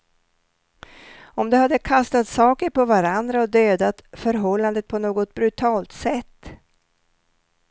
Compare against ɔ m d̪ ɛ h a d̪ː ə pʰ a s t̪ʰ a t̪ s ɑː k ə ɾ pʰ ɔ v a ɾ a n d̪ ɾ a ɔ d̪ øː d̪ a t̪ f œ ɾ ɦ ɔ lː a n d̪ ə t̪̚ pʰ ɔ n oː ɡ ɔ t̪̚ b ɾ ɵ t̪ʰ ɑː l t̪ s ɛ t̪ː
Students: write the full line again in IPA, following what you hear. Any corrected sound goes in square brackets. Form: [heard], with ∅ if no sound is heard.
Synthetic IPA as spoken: ɔ m d̪ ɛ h a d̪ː ə [kʰ] a s [t̪] a t̪ s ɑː k ə ɾ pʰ ɔ v a ɾ a n d̪ ɾ a ɔ d̪ øː d̪ a t̪ f œ ɾ ɦ ɔ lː a n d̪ ə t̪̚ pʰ ɔ n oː ɡ ɔ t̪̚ b ɾ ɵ t̪ʰ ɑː l t̪ s ɛ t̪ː